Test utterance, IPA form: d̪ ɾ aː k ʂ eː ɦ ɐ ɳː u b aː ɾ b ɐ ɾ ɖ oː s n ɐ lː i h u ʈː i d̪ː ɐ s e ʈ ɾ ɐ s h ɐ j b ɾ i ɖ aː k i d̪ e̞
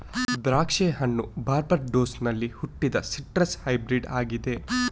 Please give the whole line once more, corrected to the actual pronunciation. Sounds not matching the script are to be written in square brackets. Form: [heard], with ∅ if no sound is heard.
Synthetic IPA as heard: d̪ ɾ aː k ʂ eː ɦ ɐ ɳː u b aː ɾ b ɐ ɾ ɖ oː s n ɐ lː i h u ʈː i [d̪] ɐ s [i] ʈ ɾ ɐ s h ɐ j b ɾ i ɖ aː [ɡ] i d̪ e̞